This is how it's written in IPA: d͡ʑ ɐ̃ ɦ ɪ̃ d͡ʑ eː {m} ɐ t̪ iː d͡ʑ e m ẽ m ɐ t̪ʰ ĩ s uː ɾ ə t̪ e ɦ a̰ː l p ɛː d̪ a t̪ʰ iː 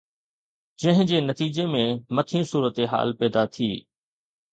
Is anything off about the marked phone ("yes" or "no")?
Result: yes